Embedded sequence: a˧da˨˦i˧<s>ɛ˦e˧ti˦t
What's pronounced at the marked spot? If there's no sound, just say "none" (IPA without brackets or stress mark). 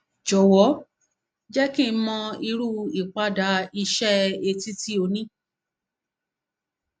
ʃ